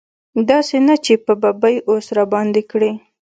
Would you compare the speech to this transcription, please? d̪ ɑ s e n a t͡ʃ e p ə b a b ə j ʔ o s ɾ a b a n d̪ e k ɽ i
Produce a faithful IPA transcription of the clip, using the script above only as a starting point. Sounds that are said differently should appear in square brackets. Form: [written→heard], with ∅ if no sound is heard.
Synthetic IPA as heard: d̪ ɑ s e n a t͡ʃ e p ə b a b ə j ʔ o s ɾ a b [a→ɑ] n d̪ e k ɽ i